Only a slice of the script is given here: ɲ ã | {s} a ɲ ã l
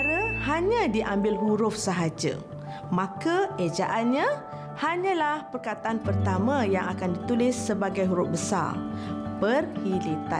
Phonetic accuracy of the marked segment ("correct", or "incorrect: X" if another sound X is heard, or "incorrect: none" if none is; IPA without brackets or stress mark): incorrect: h